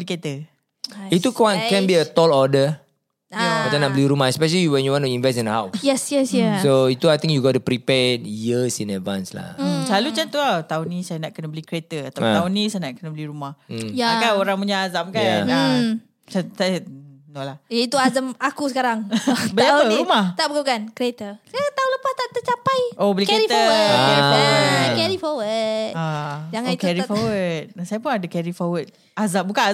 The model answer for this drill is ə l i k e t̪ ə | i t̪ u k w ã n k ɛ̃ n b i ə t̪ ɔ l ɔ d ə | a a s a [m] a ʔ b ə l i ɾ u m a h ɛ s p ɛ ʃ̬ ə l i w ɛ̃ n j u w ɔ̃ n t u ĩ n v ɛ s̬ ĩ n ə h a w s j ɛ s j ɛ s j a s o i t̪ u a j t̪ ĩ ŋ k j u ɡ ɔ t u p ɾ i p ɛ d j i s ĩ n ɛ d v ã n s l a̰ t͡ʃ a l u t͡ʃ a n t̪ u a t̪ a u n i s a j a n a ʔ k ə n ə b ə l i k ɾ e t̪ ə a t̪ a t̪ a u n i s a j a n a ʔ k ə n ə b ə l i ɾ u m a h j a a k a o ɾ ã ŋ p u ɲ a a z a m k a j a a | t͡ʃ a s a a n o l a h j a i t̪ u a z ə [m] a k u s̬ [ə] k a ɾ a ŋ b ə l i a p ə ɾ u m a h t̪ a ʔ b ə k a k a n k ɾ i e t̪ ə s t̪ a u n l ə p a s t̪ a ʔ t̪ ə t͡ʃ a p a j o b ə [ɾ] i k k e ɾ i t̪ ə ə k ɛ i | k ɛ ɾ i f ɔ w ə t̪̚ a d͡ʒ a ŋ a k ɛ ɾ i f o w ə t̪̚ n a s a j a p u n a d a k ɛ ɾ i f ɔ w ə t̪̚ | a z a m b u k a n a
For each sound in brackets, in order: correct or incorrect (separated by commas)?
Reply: incorrect, correct, correct, incorrect